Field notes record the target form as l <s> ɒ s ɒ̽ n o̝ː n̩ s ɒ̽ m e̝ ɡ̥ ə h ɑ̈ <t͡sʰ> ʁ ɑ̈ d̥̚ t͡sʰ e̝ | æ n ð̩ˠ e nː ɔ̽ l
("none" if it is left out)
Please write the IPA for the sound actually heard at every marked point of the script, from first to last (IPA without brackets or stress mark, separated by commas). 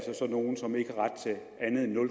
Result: s, none